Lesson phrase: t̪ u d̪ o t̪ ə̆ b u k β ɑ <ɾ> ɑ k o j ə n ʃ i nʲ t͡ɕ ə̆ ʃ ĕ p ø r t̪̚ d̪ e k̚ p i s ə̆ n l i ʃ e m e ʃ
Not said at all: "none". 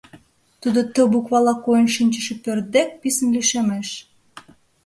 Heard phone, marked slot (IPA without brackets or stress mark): l